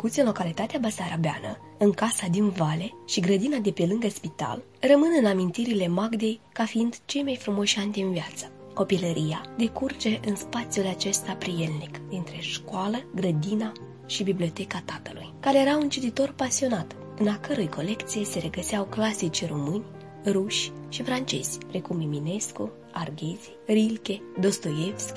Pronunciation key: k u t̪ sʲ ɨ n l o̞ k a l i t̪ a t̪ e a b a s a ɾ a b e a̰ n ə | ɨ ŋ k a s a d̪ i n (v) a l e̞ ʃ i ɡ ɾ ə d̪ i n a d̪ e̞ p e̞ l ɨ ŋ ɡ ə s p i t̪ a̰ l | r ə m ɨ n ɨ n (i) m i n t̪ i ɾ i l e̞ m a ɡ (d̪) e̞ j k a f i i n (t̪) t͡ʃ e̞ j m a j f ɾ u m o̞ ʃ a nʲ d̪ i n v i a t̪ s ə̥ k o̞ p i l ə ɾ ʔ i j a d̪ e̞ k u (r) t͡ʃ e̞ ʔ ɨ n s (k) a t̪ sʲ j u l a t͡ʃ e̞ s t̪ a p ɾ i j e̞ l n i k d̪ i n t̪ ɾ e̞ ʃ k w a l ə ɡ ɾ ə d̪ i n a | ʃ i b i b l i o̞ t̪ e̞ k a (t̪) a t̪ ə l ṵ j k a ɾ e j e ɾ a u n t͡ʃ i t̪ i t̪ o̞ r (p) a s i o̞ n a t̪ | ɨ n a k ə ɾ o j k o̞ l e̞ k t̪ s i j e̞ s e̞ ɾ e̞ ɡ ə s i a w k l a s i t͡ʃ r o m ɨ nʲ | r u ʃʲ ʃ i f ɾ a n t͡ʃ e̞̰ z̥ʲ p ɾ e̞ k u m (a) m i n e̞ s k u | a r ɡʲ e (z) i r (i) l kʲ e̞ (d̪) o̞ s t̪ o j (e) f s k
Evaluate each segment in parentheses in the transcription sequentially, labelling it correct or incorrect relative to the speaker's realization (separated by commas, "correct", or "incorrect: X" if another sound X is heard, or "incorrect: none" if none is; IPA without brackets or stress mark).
correct, incorrect: a, correct, incorrect: d̪, correct, incorrect: p, correct, correct, incorrect: i, correct, correct, correct, correct